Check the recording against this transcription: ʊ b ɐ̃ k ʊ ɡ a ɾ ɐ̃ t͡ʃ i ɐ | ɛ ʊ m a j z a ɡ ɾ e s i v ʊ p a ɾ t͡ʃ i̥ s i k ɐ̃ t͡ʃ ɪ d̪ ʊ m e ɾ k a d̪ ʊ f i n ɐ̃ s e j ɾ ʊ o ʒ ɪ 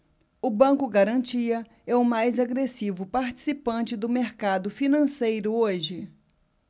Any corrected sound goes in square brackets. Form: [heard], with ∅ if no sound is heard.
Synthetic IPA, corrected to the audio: ʊ b ɐ̃ k ʊ ɡ a ɾ ɐ̃ t͡ʃ i ɐ | ɛ ʊ m a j z a ɡ ɾ e s i v ʊ p a ɾ t͡ʃ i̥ s i [p] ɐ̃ t͡ʃ ɪ d̪ ʊ m e ɾ k a d̪ ʊ f i n ɐ̃ s e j ɾ ʊ o ʒ ɪ